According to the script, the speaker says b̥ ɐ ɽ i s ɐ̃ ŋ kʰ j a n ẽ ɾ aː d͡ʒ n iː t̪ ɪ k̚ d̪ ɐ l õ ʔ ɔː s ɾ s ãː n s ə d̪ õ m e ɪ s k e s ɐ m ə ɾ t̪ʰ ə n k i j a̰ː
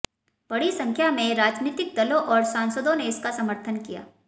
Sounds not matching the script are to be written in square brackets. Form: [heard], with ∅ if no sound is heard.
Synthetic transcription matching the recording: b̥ ɐ ɽ i s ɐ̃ ŋ kʰ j a [m] ẽ ɾ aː d͡ʒ n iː t̪ ɪ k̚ d̪ ɐ l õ ʔ ɔː [∅] ɾ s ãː n s ə d̪ õ [n] e ɪ s k [a] s ɐ m ə ɾ t̪ʰ ə n k i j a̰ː